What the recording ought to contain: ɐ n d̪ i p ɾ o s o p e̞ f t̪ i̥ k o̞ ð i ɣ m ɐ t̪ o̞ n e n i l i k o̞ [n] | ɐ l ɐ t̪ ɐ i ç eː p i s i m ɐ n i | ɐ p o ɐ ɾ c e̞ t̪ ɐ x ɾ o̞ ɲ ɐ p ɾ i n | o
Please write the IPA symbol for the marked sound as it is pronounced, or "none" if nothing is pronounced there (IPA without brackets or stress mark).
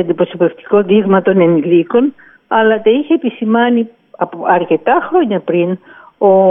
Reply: n